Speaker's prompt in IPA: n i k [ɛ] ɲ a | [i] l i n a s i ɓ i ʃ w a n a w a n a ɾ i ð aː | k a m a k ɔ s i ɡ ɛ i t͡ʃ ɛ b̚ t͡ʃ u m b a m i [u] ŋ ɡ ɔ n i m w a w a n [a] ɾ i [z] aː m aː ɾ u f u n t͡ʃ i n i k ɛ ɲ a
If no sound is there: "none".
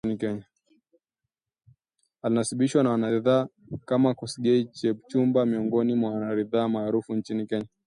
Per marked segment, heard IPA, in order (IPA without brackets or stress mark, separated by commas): ɛ, a, ɔ, a, ð